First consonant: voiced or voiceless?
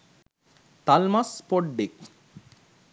voiceless